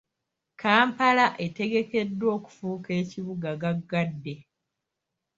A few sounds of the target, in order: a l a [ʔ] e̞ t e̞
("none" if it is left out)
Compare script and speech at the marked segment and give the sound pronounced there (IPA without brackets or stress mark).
ʔ